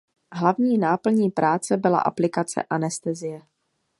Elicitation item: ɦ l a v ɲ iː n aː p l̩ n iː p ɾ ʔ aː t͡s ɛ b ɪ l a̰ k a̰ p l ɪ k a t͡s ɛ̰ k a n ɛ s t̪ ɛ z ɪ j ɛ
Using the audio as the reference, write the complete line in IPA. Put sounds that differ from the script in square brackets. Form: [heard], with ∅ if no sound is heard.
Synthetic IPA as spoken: ɦ l a v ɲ iː n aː p l̩ [ɲ] iː p ɾ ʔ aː t͡s ɛ b ɪ l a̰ [ʔ] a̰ p l ɪ k a t͡s ɛ̰ [ʔ] a n ɛ s t̪ ɛ z ɪ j ɛ